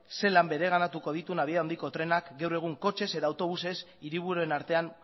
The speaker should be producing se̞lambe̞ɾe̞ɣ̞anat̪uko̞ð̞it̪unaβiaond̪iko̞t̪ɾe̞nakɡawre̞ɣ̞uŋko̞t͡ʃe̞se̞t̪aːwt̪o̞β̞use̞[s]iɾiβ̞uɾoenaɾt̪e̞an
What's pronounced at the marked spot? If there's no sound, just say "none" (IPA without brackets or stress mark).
s